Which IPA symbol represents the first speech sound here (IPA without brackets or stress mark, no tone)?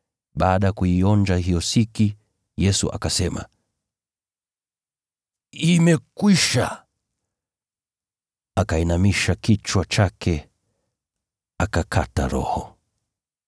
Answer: ɓ